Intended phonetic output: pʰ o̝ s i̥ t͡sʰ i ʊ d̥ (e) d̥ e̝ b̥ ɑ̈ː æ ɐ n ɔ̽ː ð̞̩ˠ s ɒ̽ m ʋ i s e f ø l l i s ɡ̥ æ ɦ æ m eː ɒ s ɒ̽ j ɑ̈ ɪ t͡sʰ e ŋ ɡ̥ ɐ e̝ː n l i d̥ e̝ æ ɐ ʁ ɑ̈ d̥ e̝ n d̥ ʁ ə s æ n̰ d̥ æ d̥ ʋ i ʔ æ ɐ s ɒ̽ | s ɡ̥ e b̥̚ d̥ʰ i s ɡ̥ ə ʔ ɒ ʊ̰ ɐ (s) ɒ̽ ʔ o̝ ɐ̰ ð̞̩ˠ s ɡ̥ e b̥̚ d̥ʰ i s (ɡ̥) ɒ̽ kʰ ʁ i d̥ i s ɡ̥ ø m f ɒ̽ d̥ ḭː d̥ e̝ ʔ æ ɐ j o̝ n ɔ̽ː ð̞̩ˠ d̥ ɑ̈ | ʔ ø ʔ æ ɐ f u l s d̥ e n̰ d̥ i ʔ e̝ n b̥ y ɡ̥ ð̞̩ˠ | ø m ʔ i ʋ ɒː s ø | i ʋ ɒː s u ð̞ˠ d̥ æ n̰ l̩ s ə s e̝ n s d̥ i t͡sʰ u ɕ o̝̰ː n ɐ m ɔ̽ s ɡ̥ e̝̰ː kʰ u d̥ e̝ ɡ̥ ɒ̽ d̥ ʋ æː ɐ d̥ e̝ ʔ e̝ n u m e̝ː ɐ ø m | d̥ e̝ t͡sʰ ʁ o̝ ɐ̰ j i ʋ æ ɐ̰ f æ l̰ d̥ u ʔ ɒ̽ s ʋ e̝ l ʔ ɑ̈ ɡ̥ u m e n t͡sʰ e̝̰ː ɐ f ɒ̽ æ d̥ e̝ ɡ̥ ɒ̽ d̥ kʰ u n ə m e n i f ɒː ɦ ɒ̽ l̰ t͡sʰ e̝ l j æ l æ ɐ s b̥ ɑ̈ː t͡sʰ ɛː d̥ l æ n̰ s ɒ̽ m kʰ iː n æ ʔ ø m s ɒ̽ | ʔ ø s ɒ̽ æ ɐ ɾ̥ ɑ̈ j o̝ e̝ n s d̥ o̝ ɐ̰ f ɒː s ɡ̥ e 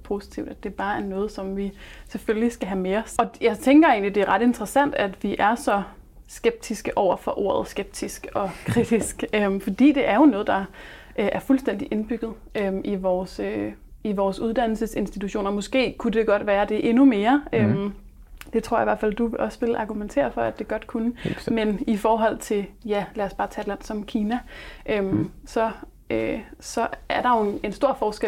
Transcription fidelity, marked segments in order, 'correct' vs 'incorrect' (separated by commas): incorrect, incorrect, correct